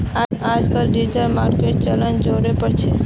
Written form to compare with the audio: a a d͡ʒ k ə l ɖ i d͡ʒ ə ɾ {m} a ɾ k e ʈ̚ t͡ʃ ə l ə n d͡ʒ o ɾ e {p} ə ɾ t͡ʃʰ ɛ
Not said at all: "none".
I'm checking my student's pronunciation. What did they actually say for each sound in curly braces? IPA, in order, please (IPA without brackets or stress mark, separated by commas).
m, p